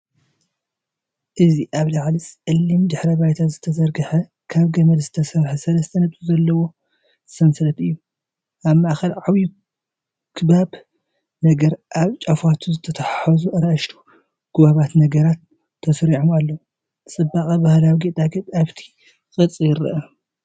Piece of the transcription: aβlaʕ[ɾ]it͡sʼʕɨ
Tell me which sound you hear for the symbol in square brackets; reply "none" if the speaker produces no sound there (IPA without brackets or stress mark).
l